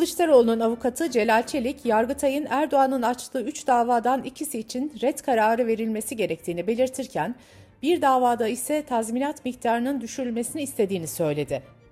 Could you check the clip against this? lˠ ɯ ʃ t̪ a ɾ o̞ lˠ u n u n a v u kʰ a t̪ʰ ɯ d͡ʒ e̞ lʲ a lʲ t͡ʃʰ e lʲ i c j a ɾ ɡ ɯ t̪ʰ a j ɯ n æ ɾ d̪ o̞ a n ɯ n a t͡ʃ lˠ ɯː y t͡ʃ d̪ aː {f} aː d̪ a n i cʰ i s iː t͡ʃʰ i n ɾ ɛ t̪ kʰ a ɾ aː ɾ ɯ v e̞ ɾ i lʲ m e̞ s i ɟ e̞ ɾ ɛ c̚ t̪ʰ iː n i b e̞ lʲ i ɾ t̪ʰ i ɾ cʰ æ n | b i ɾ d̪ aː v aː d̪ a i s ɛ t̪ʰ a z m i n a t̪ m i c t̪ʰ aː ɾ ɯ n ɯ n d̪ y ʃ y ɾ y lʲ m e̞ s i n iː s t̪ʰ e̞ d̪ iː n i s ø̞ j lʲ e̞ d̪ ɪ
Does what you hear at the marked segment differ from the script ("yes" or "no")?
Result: yes